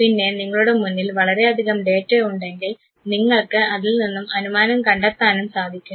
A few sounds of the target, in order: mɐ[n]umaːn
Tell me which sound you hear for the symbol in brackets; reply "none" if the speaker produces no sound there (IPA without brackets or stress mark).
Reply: n